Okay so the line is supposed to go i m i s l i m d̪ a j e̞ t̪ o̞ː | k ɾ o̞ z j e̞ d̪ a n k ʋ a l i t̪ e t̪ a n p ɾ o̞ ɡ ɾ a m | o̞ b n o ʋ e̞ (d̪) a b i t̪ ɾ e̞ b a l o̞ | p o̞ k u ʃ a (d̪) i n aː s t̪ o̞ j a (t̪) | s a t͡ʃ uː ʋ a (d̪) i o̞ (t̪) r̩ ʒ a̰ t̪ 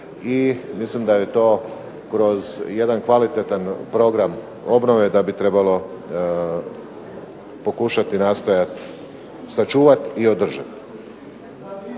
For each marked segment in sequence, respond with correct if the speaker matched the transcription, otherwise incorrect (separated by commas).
correct, incorrect, correct, incorrect, incorrect